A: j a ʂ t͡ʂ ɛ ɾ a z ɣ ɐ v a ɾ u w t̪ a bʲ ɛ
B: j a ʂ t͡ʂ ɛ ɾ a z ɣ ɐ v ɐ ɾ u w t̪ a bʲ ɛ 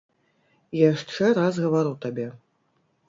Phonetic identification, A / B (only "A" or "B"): A